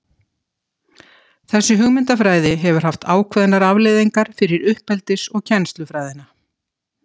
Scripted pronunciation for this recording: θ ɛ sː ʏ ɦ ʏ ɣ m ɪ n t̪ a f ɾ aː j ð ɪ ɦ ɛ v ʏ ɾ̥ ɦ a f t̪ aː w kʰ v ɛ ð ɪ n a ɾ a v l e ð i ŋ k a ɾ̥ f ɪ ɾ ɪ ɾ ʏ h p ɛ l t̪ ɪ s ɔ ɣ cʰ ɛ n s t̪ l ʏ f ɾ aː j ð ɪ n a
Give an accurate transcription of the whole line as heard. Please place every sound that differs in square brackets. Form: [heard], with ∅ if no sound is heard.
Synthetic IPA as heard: θ ɛ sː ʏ ɦ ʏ ɣ m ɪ n t̪ a f ɾ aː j ð ɪ ɦ ɛ v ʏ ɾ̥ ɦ a f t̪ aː w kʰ v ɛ ð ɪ n a ɾ a v l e ð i ŋ k a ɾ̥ f ɪ ɾ ɪ ɾ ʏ h p ɛ l t̪ ɪ s ɔ ɣ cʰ ɛ n s t̪ l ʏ f ɾ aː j ð ɪ n a

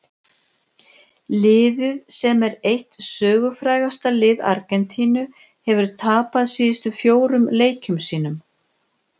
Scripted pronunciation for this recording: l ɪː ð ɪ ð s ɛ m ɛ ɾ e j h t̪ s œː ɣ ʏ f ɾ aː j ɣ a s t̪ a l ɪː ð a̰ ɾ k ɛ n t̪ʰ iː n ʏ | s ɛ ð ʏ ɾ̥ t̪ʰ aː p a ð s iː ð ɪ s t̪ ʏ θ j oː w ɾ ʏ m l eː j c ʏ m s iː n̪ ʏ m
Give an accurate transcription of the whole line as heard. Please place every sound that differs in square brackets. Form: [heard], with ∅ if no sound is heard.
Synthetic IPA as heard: l ɪː ð ɪ ð s ɛ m ɛ ɾ e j h t̪ s œː ɣ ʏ f ɾ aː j ɣ a s t̪ a l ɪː ð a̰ ɾ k ɛ n t̪ʰ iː n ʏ | [h] ɛ [v] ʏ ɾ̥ t̪ʰ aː p a ð s iː ð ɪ s t̪ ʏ [f] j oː w ɾ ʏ m l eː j c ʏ m s iː n̪ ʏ m

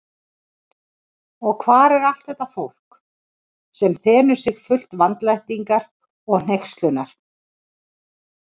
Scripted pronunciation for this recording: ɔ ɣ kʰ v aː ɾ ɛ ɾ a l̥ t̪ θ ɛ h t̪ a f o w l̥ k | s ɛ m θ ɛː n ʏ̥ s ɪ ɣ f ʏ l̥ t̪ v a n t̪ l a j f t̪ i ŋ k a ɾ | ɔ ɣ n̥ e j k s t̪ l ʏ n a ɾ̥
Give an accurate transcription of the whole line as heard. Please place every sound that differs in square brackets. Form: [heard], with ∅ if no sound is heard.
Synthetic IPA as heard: ɔ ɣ kʰ v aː ɾ ɛ ɾ a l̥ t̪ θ ɛ h t̪ a f o w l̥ k | s ɛ m θ ɛː n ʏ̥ s ɪ ɣ f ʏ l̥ t̪ v a n t̪ l a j [h] t̪ i ŋ k a ɾ | ɔ ɣ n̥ e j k s t̪ l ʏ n a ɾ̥

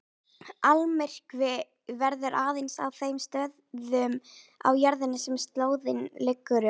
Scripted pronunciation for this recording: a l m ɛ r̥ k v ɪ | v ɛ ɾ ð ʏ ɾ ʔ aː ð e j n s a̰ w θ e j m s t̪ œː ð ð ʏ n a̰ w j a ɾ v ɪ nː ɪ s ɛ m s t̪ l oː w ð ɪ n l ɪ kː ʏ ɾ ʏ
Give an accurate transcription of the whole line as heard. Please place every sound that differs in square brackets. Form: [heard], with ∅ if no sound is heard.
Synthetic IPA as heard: a l m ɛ r̥ k v ɪ | v ɛ ɾ ð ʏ ɾ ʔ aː ð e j n s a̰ w θ e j m s t̪ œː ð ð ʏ [m] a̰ w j a ɾ [ð] ɪ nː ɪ s ɛ m s t̪ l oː w ð ɪ n l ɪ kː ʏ ɾ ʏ

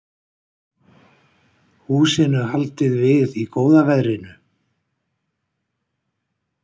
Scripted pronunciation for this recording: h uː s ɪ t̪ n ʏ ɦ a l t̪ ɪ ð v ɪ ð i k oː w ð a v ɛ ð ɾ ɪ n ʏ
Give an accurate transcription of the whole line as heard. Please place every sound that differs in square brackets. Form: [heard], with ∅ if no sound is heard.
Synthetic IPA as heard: h uː s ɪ [∅] n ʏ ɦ a l t̪ ɪ ð v ɪ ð i k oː w ð a v ɛ ð ɾ ɪ n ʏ

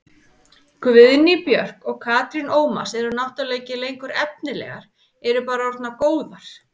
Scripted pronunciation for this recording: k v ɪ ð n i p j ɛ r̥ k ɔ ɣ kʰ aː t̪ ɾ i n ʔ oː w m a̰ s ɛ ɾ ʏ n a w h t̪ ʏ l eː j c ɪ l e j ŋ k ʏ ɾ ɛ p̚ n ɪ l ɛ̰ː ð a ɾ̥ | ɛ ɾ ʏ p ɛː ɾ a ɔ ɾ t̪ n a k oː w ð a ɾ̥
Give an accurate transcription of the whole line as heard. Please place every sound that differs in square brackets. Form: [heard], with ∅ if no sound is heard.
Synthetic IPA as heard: k v ɪ ð n i p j [œ] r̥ k ɔ ɣ kʰ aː t̪ ɾ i n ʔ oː w m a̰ s ɛ ɾ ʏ n a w h t̪ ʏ l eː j c ɪ l e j ŋ k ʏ ɾ ɛ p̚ n ɪ l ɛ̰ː [ɣ] a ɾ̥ | ɛ ɾ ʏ p [aː] ɾ a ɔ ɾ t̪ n a k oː w ð a ɾ̥

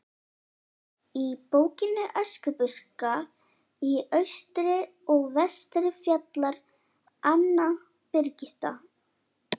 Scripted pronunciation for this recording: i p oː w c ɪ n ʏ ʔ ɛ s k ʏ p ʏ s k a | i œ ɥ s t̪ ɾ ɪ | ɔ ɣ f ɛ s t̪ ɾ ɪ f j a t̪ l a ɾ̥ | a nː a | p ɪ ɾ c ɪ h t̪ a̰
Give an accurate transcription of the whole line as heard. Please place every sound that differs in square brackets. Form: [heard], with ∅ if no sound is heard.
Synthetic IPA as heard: i p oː w c ɪ n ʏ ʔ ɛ s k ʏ p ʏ s k a | i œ ɥ s t̪ ɾ ɪ | ɔ ɣ [v] ɛ s t̪ ɾ ɪ f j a t̪ l a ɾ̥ | a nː a | p ɪ ɾ c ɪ h t̪ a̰

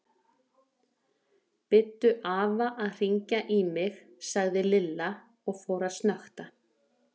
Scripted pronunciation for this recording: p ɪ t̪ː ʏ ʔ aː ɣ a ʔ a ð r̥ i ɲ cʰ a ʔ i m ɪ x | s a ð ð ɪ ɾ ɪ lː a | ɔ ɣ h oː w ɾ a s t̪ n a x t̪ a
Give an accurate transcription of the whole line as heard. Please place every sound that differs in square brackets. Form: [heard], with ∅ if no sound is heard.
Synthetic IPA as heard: p ɪ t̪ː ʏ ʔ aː [v] a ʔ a ð r̥ i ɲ [c] a ʔ i m ɪ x | s a [ɣ] ð ɪ [l] ɪ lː a | ɔ ɣ [f] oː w ɾ a s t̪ n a x t̪ a

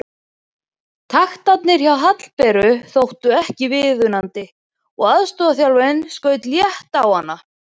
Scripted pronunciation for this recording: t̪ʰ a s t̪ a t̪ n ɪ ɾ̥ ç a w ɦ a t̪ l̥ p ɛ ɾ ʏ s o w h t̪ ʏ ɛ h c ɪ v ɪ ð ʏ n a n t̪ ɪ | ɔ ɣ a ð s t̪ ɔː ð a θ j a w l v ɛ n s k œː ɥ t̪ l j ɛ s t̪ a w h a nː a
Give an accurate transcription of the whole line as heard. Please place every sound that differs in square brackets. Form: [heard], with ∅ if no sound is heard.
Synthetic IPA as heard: t̪ʰ a [x] t̪ a t̪ n ɪ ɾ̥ ç a w ɦ a t̪ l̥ p ɛ ɾ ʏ [θ] o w h t̪ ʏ ɛ h c ɪ v ɪ ð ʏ n a n t̪ ɪ | ɔ ɣ a ð s t̪ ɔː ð a θ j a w l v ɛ n s k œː ɥ t̪ l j ɛ [h] t̪ a w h a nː a

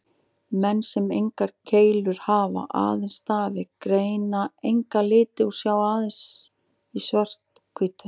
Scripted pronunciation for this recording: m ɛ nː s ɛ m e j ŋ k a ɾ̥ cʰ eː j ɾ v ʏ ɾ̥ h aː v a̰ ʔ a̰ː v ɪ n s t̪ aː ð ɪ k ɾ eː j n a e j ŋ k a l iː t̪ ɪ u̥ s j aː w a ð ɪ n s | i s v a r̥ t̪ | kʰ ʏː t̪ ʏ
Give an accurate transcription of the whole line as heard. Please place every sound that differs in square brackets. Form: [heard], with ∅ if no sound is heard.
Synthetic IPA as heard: m ɛ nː s ɛ m e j ŋ k a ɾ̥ cʰ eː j [l] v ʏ ɾ̥ h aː v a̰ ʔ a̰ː [ð] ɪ n s t̪ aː [v] ɪ k ɾ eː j n a e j ŋ k a l [ɪː] t̪ ɪ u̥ s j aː w a ð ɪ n s | i s v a r̥ t̪ | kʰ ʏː t̪ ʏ

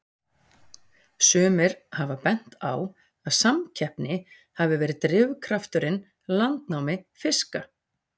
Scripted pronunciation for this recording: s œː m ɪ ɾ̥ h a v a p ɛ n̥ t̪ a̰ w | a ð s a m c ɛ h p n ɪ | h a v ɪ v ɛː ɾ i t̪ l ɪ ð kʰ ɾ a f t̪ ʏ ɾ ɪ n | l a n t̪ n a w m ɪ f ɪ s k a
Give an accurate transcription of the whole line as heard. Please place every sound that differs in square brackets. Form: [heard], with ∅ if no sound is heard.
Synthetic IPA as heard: s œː m ɪ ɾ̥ h a v a p ɛ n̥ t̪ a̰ w | a ð s a m [cʰ] ɛ h p n ɪ | h a v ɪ v ɛː ɾ [ɪ] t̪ [ɾ] ɪ [v] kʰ ɾ a f t̪ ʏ ɾ ɪ n | l a n t̪ n a w m ɪ f ɪ s k a

